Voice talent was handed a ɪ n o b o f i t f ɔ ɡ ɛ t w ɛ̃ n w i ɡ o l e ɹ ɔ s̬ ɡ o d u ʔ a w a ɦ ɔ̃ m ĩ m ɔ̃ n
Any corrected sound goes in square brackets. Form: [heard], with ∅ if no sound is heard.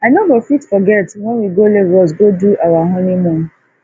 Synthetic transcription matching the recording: a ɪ n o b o f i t f ɔ ɡ ɛ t w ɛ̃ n w i ɡ o l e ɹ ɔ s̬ ɡ o d u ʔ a w a ɦ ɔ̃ [n] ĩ m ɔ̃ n